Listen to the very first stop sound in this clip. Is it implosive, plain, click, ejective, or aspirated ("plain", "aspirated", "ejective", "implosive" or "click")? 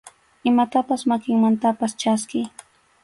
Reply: plain